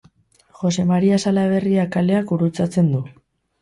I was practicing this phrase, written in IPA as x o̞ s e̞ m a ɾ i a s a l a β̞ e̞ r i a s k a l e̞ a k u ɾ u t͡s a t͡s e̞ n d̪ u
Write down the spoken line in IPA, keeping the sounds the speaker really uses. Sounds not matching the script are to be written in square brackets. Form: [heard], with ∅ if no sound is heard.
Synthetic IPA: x o̞ s e̞ m a ɾ i a s a l a β̞ e̞ r i a [∅] k a l e̞ a k u ɾ u t͡s a t͡s e̞ n d̪ u